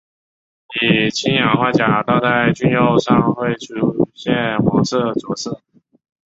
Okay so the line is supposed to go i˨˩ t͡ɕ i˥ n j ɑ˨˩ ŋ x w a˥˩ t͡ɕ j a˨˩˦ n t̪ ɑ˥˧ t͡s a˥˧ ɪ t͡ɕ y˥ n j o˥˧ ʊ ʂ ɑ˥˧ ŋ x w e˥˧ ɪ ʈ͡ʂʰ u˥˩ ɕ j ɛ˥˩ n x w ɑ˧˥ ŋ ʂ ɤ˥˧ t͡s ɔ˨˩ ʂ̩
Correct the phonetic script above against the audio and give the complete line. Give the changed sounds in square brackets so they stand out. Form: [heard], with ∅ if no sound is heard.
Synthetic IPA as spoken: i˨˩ [t͡ɕʰ] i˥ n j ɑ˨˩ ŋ x w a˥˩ t͡ɕ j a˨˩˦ [∅] t̪ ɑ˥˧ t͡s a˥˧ ɪ t͡ɕ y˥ n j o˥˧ ʊ ʂ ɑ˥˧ ŋ x w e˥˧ ɪ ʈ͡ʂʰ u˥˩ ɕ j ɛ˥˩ n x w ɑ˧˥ ŋ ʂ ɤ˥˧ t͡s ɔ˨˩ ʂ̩